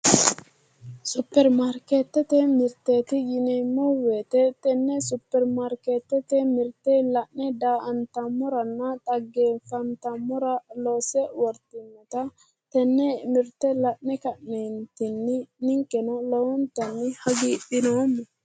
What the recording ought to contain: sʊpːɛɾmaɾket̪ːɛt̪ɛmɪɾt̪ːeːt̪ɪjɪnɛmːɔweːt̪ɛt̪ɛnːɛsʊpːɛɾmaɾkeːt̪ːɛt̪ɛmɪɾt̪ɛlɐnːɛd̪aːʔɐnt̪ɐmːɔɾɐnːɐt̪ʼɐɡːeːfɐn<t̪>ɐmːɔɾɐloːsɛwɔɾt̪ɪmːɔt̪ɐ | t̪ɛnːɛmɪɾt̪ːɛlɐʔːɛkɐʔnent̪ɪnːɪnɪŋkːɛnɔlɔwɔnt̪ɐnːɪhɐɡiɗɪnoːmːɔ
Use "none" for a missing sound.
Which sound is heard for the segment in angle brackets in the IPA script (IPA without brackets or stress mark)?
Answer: t̪